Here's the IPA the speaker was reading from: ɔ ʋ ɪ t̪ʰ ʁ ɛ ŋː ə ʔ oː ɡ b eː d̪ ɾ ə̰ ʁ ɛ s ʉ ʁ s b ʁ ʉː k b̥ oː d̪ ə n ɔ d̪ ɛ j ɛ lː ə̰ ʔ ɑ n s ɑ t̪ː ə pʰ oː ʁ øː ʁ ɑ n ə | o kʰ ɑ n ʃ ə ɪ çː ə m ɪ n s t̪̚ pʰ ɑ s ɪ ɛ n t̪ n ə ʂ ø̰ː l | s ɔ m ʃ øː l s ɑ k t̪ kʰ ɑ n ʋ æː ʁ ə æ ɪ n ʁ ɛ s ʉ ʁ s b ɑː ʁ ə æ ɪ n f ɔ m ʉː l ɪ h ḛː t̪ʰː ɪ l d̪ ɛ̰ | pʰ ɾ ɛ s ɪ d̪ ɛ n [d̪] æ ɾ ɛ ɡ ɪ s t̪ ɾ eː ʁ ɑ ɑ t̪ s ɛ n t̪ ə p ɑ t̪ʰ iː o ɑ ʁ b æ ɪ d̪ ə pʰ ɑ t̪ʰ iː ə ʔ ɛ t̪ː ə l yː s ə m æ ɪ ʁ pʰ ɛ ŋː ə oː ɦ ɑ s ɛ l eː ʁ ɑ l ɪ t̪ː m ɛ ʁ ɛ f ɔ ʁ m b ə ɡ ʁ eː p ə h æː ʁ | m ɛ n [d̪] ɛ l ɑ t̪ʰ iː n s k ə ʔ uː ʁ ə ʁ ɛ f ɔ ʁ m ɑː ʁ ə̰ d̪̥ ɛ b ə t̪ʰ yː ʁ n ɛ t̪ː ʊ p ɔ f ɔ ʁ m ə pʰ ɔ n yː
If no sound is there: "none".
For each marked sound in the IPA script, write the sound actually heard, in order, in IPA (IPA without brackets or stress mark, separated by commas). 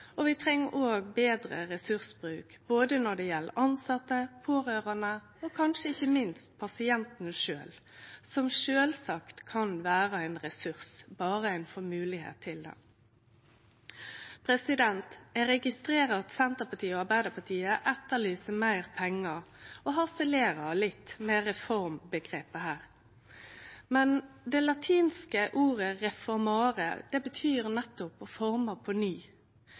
t̪, d̪